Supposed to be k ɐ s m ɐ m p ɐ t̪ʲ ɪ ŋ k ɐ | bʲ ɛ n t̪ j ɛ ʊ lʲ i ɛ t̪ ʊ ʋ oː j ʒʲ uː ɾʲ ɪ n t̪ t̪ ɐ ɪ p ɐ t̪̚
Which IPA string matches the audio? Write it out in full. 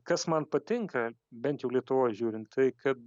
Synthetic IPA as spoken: k ɐ s m ɐ n p ɐ t̪ʲ ɪ ŋ k ɐ | bʲ ɛ n t̪ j ɛ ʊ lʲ i ɛ t̪ ʊ ʋ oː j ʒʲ uː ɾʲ ɪ n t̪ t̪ ɐ ɪ k ɐ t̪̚